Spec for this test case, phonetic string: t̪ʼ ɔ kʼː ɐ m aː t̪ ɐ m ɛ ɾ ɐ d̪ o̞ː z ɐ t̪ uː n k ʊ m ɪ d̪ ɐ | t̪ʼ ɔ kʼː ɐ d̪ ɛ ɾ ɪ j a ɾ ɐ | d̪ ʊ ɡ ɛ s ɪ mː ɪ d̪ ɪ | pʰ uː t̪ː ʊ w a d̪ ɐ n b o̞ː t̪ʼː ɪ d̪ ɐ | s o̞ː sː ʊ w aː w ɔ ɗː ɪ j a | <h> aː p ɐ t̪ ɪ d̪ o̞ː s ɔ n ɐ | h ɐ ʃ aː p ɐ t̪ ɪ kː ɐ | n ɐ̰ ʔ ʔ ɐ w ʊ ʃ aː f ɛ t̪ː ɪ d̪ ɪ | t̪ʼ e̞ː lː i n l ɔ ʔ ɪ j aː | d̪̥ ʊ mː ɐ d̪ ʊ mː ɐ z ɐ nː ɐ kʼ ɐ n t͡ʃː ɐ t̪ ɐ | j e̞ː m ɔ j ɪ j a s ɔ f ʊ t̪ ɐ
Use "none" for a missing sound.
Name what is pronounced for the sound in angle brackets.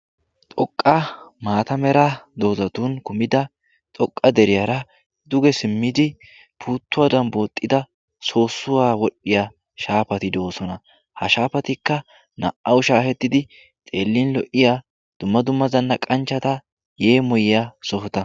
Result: ʃ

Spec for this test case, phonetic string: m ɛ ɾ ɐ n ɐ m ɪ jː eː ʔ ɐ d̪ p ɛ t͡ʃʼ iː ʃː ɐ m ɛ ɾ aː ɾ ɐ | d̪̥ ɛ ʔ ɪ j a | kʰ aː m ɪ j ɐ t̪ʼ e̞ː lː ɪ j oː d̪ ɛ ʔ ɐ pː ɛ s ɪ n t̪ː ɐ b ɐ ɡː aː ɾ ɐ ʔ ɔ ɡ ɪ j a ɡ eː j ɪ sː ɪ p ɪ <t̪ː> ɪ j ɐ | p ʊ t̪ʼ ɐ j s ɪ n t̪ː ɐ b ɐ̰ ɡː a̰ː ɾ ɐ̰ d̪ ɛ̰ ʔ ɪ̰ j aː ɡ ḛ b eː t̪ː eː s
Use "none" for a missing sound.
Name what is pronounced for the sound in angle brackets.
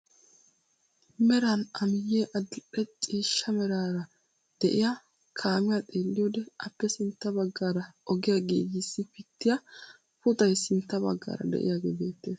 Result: t̪ː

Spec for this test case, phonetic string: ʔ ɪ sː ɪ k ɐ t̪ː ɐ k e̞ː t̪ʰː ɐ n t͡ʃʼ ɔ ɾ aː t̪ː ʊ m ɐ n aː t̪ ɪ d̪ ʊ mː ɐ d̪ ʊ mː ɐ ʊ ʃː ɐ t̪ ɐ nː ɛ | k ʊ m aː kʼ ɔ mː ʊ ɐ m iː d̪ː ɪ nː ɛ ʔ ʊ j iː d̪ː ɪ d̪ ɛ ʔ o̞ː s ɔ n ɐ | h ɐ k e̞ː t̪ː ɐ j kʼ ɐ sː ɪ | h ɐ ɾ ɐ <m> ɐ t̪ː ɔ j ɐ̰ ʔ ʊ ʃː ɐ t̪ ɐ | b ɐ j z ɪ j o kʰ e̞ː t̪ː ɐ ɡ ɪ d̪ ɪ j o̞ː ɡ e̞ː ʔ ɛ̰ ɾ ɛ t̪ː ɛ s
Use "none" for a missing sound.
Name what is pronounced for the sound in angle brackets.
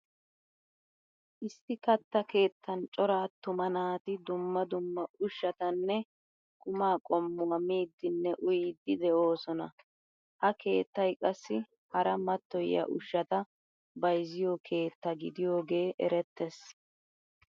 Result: m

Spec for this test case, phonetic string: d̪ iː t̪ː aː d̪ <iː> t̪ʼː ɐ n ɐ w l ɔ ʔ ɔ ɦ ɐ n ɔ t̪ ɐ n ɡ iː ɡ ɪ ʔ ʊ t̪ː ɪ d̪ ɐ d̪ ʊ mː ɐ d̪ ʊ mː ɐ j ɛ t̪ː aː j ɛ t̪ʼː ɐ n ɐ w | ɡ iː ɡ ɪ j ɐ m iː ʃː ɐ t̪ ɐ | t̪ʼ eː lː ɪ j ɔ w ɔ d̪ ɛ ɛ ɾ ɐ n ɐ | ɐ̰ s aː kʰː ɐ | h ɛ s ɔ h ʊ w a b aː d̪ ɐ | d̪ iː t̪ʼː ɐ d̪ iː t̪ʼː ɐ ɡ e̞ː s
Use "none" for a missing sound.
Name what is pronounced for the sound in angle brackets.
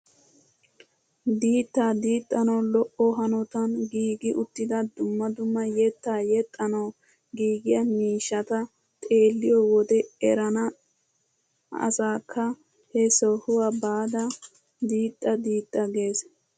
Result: iː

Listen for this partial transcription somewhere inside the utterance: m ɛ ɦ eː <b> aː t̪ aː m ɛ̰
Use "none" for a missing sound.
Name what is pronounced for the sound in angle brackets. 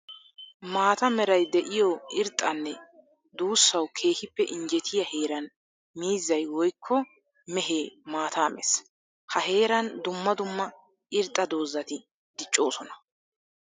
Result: m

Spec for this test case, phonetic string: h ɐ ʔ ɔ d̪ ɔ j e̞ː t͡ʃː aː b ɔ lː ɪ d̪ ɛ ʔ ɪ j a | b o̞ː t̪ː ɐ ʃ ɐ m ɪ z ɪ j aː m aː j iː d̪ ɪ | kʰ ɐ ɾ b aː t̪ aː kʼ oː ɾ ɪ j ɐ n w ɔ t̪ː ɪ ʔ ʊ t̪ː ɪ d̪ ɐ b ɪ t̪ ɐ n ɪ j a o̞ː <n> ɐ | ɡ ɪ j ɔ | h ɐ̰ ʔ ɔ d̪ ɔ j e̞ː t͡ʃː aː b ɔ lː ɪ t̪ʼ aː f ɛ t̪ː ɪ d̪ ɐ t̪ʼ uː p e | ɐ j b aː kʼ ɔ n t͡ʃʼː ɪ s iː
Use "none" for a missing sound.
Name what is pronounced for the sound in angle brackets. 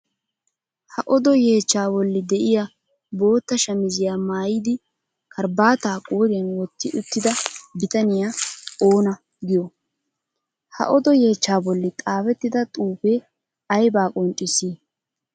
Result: n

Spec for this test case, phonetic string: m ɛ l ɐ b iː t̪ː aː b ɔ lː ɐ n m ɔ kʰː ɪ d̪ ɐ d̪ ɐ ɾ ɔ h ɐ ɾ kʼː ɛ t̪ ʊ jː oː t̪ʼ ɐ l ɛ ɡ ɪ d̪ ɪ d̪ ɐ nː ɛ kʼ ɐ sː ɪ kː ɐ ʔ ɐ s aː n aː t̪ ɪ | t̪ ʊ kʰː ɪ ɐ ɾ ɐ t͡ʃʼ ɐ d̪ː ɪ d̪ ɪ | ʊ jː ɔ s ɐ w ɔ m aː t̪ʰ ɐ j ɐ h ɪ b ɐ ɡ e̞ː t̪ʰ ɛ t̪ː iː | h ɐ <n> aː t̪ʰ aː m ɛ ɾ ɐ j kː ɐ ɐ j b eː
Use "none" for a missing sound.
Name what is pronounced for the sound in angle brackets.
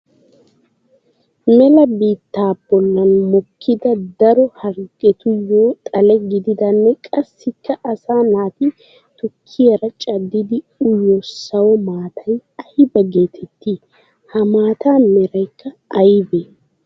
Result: m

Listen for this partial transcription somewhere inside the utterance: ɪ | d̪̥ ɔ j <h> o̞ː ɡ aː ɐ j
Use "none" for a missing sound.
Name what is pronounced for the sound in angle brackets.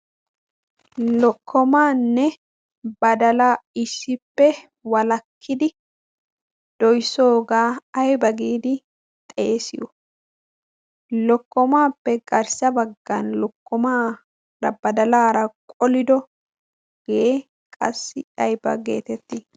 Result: s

